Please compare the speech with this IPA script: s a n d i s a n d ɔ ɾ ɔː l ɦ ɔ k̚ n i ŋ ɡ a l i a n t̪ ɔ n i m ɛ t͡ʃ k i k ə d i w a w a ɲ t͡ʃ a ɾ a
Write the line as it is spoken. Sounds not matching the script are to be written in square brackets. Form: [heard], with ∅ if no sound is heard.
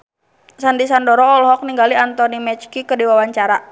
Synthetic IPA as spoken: s a n d i s a n d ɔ ɾ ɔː l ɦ ɔ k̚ n i ŋ ɡ a l i a n t̪ ɔ n i m ɛ t͡ʃ k i k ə d i w a w a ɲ t͡ʃ a ɾ a